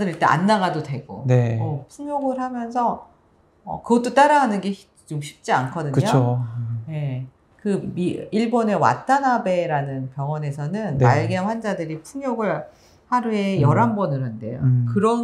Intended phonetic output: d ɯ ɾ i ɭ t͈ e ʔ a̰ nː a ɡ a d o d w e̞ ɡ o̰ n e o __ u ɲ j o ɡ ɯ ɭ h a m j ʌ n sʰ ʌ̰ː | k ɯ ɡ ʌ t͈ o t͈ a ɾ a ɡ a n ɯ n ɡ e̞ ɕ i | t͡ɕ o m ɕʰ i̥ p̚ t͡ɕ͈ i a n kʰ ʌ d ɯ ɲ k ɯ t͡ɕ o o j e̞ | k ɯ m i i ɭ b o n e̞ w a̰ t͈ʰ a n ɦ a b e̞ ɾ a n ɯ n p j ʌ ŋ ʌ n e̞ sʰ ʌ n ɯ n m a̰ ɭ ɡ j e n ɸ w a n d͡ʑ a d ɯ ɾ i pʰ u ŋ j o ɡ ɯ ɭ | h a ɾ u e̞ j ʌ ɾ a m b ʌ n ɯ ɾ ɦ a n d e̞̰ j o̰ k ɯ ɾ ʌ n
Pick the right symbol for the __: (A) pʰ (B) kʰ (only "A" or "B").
A